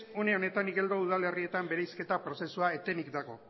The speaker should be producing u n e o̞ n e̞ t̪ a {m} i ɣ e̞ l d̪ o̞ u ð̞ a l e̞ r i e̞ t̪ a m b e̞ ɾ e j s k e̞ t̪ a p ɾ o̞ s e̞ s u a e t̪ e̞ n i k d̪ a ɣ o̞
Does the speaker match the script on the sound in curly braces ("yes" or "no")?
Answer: no